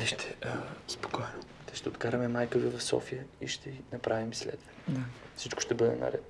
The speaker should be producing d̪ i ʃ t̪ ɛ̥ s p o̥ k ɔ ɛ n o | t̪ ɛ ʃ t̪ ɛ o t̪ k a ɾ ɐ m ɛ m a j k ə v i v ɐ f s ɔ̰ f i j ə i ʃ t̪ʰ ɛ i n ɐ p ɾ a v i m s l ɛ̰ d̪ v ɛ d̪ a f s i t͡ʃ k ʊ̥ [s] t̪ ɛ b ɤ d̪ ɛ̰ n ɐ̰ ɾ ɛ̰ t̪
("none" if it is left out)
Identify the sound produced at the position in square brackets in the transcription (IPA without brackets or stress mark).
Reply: ʃ